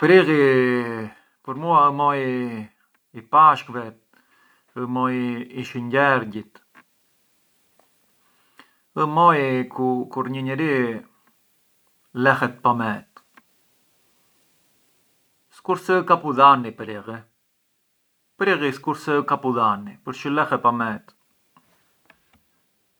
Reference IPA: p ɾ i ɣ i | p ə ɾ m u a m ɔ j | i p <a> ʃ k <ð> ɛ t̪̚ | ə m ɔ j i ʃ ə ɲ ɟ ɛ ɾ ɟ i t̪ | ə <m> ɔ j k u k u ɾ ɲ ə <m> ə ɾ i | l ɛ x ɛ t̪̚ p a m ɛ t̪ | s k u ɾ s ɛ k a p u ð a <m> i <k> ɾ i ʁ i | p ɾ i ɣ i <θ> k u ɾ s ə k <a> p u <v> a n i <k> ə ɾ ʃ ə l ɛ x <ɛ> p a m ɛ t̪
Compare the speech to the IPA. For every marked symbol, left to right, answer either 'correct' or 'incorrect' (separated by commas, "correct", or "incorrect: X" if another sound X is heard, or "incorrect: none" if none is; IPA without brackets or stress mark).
correct, incorrect: v, correct, incorrect: ɲ, incorrect: n, incorrect: p, incorrect: s, correct, incorrect: ð, incorrect: p, correct